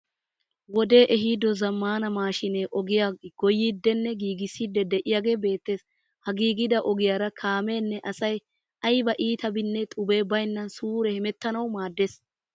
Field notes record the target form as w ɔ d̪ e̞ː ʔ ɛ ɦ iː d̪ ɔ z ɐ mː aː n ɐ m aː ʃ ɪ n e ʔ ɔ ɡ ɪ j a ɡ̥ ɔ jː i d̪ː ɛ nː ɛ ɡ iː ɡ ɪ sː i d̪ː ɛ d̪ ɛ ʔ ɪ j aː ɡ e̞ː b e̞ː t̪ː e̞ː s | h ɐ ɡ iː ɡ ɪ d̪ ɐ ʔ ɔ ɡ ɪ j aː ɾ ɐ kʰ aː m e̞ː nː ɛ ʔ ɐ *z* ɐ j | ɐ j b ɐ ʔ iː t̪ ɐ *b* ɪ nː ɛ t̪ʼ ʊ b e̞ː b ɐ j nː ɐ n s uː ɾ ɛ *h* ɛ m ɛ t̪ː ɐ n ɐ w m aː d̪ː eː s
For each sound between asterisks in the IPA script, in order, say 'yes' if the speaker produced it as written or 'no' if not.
no, yes, yes

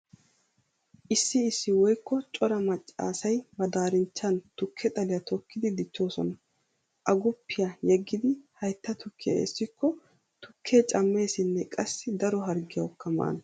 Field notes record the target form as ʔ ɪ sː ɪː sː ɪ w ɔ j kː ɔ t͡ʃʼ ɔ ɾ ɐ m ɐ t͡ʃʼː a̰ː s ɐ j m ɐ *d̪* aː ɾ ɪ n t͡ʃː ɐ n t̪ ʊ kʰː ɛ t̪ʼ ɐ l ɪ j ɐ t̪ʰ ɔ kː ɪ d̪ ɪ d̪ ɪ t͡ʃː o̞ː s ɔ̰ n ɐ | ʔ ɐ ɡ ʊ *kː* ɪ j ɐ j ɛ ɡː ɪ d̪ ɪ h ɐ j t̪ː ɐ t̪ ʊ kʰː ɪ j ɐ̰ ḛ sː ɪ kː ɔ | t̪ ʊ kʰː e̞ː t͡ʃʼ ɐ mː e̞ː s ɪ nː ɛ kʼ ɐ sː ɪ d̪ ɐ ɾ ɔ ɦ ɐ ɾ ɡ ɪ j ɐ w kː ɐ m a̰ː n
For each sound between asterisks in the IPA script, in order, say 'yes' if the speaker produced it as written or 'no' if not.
yes, no

